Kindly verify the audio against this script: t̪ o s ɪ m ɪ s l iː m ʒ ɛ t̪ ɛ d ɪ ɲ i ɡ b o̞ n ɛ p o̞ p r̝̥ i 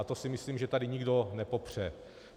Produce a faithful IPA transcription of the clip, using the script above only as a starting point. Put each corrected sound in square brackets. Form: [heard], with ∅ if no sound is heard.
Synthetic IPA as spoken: t̪ o s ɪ m ɪ s l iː m ʒ ɛ t̪ [a] d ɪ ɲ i ɡ [d] o̞ n ɛ p o̞ p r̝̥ [ɛ]